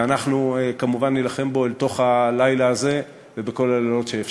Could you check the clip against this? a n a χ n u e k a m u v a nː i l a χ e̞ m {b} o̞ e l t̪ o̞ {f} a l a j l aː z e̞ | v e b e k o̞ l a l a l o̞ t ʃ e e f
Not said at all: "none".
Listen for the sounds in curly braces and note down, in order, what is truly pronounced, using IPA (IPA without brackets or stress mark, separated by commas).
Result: b, χ